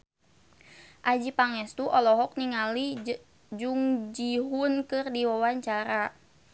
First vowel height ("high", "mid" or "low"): low